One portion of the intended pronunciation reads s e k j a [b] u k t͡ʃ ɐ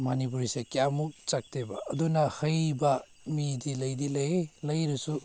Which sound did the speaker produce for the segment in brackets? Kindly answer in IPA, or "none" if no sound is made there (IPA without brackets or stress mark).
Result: m